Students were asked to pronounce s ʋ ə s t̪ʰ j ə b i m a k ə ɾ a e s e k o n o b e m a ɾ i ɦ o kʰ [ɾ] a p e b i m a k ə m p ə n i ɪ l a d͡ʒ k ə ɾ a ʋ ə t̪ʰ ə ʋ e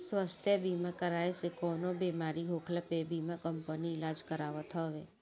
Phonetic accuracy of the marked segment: incorrect: l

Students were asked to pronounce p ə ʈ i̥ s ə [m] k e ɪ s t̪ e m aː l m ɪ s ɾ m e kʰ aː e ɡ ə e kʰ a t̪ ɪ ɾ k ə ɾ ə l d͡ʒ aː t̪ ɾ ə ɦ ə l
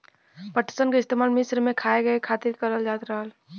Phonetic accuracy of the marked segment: incorrect: n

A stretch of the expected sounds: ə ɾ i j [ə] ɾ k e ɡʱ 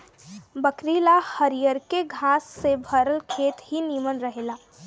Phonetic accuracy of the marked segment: correct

